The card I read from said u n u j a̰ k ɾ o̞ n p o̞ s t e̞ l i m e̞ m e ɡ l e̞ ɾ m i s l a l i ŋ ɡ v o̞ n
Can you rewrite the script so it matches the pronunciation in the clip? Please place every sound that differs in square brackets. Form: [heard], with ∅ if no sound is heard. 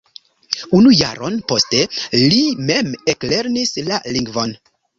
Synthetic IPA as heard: u n u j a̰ [∅] ɾ o̞ n p o̞ s t e̞ l i m e̞ m e [k] l e̞ ɾ [n] i s l a l i ŋ ɡ v o̞ n